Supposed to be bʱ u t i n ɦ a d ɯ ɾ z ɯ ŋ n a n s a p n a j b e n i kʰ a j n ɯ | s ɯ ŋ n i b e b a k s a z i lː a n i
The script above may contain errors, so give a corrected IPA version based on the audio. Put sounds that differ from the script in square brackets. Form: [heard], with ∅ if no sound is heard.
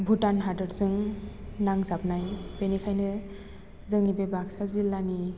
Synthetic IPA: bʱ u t [a] n ɦ a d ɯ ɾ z ɯ ŋ n a [ŋ] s a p n a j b e n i kʰ a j n ɯ | [z] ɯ ŋ n i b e b a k s a z i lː a n i